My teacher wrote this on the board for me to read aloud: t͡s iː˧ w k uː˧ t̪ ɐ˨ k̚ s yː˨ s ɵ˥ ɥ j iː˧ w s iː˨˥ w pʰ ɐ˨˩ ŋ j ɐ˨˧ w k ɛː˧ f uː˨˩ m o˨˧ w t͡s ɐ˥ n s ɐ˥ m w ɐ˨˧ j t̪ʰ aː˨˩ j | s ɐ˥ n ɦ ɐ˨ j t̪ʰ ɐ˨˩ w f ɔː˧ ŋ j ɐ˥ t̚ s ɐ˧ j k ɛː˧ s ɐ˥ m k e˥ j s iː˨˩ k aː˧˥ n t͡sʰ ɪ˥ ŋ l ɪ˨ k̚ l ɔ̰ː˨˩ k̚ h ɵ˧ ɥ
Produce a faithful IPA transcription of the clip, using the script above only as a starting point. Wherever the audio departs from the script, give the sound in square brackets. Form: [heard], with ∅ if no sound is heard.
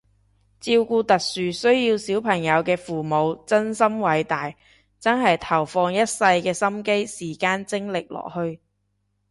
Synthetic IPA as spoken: t͡s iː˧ w k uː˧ t̪ ɐ˨ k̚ s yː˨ s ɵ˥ ɥ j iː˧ w s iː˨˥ w pʰ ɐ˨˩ ŋ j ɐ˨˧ w k ɛː˧ f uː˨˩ m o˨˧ w t͡s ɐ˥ n s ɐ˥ m w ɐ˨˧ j [t̪] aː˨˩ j | [t͡s] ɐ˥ n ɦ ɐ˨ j t̪ʰ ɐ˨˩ w f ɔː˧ ŋ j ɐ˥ t̚ s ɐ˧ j k ɛː˧ s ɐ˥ m k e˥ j s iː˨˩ k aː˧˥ n [t͡s] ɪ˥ ŋ l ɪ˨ k̚ l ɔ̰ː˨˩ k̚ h ɵ˧ ɥ